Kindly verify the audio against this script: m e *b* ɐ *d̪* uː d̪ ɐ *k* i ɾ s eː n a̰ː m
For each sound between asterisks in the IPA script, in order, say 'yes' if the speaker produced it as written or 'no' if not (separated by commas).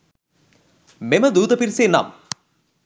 no, yes, no